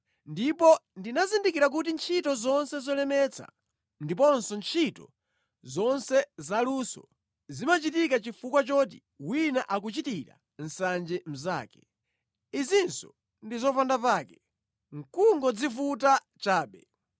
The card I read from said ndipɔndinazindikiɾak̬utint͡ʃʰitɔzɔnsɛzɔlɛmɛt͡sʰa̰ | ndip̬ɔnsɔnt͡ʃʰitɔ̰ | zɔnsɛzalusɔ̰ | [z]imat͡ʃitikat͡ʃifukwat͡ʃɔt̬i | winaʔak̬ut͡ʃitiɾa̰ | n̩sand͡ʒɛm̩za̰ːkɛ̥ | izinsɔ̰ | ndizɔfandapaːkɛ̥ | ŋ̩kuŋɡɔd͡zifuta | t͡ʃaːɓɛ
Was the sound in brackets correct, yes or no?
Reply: yes